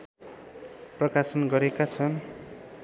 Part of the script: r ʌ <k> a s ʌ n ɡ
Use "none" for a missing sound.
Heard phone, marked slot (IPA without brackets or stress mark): k